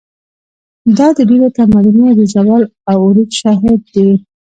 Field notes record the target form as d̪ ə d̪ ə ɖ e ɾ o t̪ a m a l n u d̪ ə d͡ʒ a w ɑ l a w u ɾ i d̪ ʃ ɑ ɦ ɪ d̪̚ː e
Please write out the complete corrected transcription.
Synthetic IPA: d̪ ɑ d̪ ə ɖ e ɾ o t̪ a m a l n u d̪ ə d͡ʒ a w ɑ l a w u ɾ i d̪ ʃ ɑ ɦ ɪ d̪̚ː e

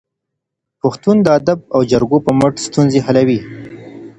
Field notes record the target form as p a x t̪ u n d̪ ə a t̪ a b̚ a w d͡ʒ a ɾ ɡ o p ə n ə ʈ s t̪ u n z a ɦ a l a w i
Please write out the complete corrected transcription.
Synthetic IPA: p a x t̪ u n d̪ ə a d̪ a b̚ a w d͡ʒ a ɾ ɡ o p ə m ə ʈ s t̪ u n z e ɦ a l a w i

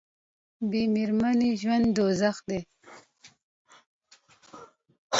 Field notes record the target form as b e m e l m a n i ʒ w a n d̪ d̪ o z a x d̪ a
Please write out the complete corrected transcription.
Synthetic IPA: b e m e ɾ m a n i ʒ w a n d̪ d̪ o z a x d̪ e

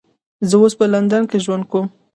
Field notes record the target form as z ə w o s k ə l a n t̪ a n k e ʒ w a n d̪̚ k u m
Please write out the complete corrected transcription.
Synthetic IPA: z ə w o s p ə l a n d̪ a n k e ʒ w a n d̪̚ k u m

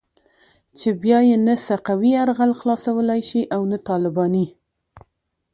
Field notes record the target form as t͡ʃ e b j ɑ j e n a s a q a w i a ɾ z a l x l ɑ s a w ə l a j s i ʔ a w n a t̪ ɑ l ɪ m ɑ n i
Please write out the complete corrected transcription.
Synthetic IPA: t͡ʃ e b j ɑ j e n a s a q a w i a ɾ ɣ a l x l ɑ s a w ə l a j ʃ i ʔ a w n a t̪ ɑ l ɪ b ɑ n i

